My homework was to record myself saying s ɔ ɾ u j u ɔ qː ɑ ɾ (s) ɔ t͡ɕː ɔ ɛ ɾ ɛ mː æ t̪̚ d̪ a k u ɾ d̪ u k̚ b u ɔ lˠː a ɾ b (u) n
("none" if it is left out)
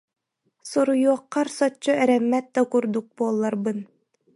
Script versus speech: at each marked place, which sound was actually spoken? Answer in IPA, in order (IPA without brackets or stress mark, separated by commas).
s, ɯ